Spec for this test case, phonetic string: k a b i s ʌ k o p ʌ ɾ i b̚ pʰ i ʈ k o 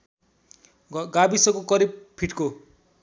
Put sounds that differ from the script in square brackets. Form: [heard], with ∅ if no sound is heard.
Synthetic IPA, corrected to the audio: [ɡ] a b i s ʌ k o [k] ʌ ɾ i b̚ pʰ i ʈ k o